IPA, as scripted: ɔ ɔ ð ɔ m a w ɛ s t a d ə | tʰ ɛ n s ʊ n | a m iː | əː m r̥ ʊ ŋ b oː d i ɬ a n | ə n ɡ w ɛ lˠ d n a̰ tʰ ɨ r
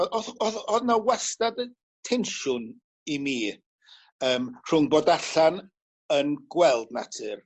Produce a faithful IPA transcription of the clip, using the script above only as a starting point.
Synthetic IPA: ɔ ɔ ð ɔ n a w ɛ s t a d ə | tʰ ɛ n ʃ ʊ n | i m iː | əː m r̥ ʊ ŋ b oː d a ɬ a n | ə n ɡ w ɛ lˠ d n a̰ tʰ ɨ r